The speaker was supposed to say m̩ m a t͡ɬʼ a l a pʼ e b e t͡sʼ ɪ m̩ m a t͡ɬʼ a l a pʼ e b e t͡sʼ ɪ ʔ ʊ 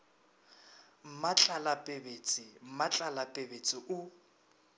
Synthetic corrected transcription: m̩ m a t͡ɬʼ a l a pʼ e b e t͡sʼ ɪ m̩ m a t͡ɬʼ a l a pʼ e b e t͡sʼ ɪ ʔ ʊ